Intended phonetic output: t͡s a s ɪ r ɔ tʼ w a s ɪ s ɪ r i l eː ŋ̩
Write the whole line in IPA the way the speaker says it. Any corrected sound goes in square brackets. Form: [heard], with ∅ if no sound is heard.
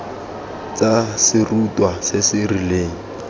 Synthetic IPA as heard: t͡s a s ɪ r [u] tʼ w a s ɪ s ɪ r i l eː ŋ̩